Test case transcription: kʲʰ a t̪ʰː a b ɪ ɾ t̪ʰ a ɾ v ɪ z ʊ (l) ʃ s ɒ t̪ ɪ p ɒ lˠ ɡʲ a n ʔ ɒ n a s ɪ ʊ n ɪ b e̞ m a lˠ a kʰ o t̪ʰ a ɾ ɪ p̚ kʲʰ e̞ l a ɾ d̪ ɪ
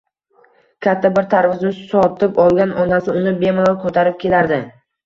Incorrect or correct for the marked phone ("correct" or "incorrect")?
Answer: incorrect